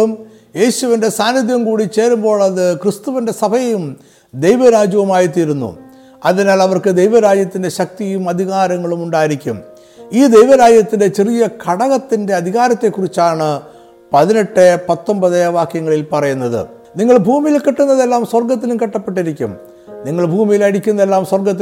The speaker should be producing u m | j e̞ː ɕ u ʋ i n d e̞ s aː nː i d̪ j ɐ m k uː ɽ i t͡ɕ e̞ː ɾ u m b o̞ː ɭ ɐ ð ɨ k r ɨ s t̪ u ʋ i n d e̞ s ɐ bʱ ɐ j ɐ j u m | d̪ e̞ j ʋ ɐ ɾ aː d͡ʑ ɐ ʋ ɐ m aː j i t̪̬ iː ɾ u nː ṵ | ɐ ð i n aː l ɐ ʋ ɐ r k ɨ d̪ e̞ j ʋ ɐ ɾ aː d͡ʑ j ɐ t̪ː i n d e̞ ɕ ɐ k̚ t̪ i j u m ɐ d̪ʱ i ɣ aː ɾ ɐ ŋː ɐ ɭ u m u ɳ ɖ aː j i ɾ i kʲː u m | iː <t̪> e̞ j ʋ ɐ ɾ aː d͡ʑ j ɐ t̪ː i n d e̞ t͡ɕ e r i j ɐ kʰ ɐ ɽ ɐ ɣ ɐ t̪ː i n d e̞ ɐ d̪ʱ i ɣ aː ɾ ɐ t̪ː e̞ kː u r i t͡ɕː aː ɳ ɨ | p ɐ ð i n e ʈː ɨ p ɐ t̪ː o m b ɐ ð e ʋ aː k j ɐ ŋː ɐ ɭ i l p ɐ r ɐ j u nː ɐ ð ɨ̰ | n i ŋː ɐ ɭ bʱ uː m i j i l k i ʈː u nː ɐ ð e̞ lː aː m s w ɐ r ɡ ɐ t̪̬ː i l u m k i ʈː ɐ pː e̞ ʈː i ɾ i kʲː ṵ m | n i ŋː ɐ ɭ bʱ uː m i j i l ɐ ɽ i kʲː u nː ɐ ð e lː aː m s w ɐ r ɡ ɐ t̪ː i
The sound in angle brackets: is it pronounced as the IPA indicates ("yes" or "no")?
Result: no